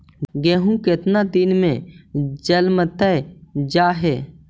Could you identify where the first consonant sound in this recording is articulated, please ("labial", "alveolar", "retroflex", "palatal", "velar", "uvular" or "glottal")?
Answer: velar